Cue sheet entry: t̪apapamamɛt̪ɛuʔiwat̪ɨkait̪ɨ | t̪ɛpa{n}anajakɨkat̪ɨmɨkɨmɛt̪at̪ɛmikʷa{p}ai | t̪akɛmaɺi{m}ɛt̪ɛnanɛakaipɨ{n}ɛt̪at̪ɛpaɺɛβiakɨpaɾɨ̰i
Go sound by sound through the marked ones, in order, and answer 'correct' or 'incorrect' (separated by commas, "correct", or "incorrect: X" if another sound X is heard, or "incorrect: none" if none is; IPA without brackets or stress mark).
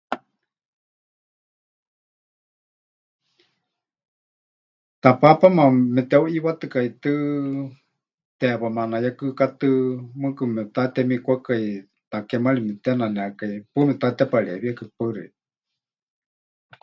incorrect: m, incorrect: k, correct, incorrect: m